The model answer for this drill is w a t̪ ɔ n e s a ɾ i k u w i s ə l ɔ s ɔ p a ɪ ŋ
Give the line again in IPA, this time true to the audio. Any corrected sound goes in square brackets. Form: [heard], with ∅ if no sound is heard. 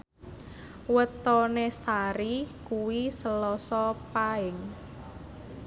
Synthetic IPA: w [ə] t̪ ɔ n e s a ɾ i k u w i s ə l ɔ s ɔ p a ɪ ŋ